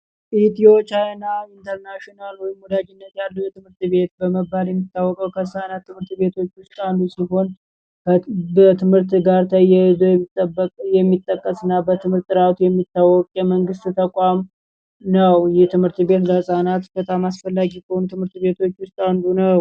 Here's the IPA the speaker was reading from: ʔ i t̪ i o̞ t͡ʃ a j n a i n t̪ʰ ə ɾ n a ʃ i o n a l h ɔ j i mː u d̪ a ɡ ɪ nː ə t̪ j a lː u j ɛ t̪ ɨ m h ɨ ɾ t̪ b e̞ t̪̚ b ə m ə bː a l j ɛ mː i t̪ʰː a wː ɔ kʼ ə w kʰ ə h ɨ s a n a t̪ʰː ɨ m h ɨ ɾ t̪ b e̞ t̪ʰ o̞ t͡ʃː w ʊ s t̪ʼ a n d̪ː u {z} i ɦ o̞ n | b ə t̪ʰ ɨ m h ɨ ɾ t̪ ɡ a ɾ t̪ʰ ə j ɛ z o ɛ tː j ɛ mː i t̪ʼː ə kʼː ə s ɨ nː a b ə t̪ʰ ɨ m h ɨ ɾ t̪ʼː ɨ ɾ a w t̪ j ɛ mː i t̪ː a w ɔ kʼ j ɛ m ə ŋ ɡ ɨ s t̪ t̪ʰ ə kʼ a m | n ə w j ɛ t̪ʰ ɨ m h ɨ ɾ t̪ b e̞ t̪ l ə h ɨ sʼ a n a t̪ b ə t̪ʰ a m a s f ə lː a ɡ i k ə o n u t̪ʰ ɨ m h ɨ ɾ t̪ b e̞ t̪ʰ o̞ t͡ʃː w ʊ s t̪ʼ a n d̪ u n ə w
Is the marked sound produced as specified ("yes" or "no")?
no